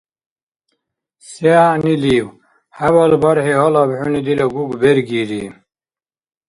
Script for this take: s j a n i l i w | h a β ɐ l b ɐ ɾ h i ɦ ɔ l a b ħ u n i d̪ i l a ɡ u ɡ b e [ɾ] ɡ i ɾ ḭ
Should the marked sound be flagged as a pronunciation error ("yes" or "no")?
no